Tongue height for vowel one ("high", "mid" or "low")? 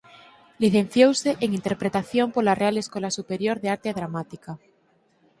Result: high